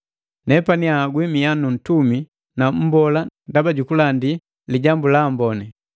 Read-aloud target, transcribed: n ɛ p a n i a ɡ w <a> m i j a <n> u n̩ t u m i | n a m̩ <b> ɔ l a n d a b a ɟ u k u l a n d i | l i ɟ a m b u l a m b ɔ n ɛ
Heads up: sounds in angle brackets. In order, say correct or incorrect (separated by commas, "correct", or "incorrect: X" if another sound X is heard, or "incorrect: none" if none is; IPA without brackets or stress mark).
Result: incorrect: i, correct, correct